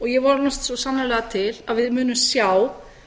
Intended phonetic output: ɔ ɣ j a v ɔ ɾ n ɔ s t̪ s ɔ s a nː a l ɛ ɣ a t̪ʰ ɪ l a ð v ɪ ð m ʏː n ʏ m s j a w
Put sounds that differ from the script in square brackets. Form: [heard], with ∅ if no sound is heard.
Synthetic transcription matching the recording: ɔ ɣ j [ɛ] v ɔ ɾ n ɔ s t̪ s ɔ s a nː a l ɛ ɣ a t̪ʰ ɪ l a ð v ɪ ð m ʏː n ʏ m s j a w